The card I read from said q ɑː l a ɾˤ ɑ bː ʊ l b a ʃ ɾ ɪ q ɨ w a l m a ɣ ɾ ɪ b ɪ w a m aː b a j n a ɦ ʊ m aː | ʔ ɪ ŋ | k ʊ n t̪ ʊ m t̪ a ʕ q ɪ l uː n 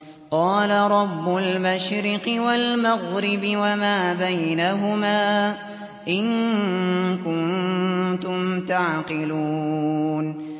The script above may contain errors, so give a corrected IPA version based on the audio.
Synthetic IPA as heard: q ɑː l a ɾˤ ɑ bː ʊ l m a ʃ ɾ ɪ q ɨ w a l m a ɣ ɾ ɪ b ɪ w a m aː b a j n a ɦ ʊ m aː | ʔ ɪ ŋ | k ʊ n t̪ ʊ m t̪ a ʕ q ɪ l uː n